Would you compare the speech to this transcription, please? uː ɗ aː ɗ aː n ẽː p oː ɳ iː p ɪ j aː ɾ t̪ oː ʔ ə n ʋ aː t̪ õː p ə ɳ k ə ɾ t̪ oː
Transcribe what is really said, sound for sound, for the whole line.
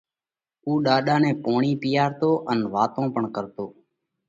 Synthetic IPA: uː ɗ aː ɗ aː n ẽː p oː ɳ iː p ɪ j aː ɾ t̪ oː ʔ ə n ʋ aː t̪ õː p ə ɳ k ə ɾ t̪ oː